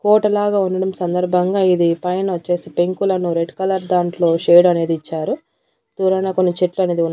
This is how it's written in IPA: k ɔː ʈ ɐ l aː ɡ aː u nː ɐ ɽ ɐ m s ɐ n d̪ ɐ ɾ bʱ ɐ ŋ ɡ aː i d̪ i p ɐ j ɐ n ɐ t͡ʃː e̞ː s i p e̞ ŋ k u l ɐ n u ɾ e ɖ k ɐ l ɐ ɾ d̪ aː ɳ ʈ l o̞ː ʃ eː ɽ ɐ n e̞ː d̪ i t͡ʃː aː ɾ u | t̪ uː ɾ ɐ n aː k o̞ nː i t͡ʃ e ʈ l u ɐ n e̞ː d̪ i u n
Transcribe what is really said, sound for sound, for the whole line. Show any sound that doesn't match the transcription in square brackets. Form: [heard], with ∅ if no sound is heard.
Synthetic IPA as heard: k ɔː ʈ ɐ l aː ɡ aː u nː ɐ ɽ ɐ m s ɐ n d̪ ɐ ɾ bʱ ɐ ŋ ɡ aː i d̪ i p ɐ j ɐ n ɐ t͡ʃː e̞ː s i p e̞ ŋ k u l ɐ n u ɾ e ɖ k ɐ l ɐ ɾ d̪ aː ɳ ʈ l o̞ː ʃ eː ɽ ɐ n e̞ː d̪ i t͡ʃː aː ɾ u | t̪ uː ɾ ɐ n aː k o̞ nː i t͡ʃ e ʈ l u ɐ n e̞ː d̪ i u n